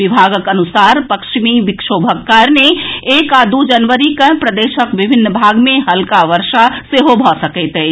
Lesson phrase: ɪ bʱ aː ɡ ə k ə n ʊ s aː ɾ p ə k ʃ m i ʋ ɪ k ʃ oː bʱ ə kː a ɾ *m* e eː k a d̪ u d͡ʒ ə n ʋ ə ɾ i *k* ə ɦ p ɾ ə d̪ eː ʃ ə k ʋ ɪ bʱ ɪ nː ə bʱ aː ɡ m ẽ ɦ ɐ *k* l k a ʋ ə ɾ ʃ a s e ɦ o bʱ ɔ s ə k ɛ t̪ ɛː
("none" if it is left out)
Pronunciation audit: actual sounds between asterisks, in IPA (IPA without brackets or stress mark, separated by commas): n, k, none